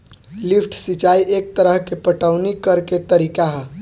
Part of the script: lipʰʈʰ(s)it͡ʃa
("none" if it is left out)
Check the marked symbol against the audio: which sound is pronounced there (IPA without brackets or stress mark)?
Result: s